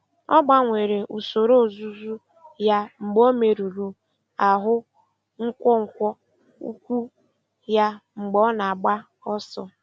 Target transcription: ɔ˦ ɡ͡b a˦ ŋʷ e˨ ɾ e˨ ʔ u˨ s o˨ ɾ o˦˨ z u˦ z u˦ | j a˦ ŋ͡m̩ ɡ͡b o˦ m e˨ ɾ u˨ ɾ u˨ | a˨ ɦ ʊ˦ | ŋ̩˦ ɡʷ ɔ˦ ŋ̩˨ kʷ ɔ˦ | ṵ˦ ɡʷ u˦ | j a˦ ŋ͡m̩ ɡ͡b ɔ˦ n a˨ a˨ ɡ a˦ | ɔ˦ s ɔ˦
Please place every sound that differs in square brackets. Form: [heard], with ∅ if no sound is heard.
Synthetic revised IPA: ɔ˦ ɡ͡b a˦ ŋʷ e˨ ɾ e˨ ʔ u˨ s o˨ ɾ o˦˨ z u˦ z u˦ | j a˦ ŋ͡m̩ ɡ͡b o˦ m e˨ ɾ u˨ ɾ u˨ | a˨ ɦ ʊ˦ | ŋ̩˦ [kʷ] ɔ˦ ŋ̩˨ kʷ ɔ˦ | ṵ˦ [kʷ] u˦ | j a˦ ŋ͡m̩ ɡ͡b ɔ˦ n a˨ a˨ [ɡ͡b] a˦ | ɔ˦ s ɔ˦